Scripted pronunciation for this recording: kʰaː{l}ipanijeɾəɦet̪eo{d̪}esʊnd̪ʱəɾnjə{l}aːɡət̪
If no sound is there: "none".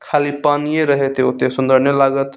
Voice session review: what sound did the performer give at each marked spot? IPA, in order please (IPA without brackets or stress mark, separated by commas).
l, t̪, l